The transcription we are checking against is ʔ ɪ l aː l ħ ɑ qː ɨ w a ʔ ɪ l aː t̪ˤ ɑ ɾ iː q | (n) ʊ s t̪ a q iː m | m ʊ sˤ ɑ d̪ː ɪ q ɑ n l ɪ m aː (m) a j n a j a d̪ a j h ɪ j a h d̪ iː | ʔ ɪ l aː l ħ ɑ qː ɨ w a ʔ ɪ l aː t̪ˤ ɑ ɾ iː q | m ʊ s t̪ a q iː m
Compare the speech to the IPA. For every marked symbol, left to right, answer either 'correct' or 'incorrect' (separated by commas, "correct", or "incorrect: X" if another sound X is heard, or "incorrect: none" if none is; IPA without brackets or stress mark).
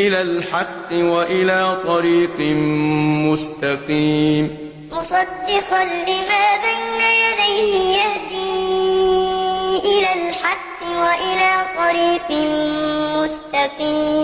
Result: incorrect: m, incorrect: b